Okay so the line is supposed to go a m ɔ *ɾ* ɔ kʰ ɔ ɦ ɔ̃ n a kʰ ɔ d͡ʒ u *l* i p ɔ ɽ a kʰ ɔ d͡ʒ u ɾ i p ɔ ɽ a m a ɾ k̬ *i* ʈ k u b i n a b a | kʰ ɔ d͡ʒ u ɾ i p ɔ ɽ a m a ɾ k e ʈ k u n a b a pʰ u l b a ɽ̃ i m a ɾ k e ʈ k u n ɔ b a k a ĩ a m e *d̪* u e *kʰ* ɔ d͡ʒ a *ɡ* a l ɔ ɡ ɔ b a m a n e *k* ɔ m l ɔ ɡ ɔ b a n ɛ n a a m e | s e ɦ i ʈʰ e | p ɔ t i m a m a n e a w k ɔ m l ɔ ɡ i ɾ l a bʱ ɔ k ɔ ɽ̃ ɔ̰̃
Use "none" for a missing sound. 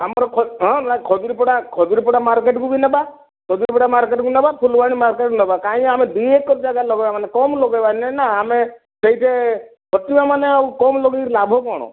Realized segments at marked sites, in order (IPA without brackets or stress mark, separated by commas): ɾ, ɾ, e, d̪, k, ɡ, k